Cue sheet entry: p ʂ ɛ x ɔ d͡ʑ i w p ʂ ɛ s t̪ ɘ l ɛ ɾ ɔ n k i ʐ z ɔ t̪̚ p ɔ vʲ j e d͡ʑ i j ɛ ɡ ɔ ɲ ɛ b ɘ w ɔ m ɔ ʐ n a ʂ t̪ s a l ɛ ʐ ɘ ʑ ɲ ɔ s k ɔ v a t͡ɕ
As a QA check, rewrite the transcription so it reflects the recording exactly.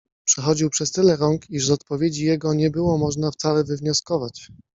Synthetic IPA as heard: p ʂ ɛ x ɔ d͡ʑ i w p ʂ ɛ s t̪ ɘ l ɛ ɾ ɔ ŋ k i ʐ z ɔ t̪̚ p ɔ vʲ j e d͡ʑ i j ɛ ɡ ɔ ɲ ɛ b ɘ w ɔ m ɔ ʐ n a f t̪ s a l ɛ v ɘ v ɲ ɔ s k ɔ v a t͡ɕ